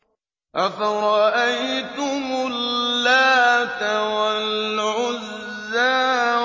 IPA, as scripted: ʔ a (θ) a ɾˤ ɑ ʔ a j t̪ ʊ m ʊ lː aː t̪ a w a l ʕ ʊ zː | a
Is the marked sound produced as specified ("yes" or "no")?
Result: no